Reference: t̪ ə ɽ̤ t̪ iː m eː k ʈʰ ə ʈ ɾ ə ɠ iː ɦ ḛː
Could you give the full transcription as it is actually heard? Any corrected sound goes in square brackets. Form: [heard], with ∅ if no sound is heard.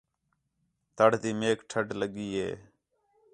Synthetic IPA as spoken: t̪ ə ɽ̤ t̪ iː m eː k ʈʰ ə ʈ [l] ə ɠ iː ɦ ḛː